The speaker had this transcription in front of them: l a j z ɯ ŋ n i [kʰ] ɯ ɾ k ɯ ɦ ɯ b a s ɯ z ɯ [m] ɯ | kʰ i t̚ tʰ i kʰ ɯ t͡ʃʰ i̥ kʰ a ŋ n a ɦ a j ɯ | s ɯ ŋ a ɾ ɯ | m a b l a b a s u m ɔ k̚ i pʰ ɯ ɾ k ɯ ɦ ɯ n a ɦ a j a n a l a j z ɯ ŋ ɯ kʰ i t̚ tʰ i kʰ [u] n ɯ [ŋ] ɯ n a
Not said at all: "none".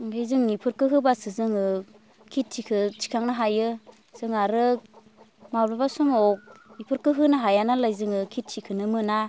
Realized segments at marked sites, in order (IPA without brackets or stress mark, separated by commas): pʰ, ŋ, ɯ, m